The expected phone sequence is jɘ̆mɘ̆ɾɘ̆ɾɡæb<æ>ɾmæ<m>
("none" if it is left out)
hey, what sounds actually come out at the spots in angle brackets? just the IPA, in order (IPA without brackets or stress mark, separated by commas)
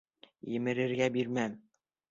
i, m